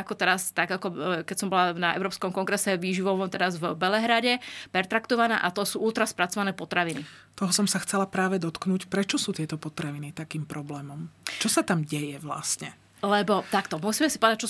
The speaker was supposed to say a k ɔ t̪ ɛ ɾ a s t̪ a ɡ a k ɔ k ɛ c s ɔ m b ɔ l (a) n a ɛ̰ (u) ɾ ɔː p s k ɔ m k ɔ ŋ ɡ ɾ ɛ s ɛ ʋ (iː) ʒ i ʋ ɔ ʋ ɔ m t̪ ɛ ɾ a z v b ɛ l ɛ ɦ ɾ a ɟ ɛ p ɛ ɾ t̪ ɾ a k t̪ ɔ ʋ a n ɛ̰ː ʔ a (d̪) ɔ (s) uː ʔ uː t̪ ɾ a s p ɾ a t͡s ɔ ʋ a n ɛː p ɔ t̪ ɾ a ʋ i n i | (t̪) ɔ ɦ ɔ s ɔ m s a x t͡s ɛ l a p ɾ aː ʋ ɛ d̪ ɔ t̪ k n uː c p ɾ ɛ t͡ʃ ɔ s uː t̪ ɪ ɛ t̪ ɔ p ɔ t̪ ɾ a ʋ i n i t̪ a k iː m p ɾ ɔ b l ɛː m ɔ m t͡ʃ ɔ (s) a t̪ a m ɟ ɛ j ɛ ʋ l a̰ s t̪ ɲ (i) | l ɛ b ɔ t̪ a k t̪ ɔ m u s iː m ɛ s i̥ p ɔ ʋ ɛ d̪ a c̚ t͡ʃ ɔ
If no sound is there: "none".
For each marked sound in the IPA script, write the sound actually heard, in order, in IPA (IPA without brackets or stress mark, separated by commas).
a, ʊ, iː, t̪, s, t̪, s, ɛ